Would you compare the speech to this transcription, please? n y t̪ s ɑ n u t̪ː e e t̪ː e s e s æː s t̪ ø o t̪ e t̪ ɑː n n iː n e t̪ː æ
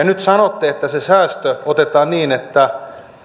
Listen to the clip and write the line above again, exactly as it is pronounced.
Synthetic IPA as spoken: n y t̪ s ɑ n o t̪ː e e t̪ː æ s e s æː s t̪ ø o t̪ e t̪ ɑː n n iː n e t̪ː æ